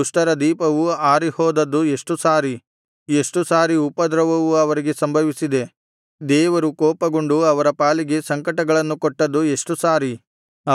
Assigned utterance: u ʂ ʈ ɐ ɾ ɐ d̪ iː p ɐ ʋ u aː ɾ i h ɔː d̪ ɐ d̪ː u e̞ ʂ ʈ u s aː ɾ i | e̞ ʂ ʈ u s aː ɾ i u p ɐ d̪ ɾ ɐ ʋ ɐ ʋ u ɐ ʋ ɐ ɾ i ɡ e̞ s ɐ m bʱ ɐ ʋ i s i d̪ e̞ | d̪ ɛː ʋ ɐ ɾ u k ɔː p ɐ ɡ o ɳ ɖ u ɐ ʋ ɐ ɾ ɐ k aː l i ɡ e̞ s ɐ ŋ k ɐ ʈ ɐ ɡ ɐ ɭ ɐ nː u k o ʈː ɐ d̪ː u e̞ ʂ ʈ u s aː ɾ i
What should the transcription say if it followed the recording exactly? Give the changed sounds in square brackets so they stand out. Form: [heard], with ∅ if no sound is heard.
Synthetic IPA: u ʂ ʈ ɐ ɾ ɐ d̪ iː p ɐ ʋ u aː ɾ i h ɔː d̪ ɐ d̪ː u e̞ ʂ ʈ u s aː ɾ i | e̞ ʂ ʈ u s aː ɾ i u p ɐ d̪ ɾ ɐ ʋ ɐ ʋ u ɐ ʋ ɐ ɾ i ɡ e̞ s ɐ m bʱ ɐ ʋ i s i d̪ e̞ | d̪ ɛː ʋ ɐ ɾ u k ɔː p ɐ ɡ o ɳ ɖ u ɐ ʋ ɐ ɾ ɐ [p] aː l i ɡ e̞ s ɐ ŋ k ɐ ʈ ɐ ɡ ɐ ɭ ɐ nː u k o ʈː ɐ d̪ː u e̞ ʂ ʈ u s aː ɾ i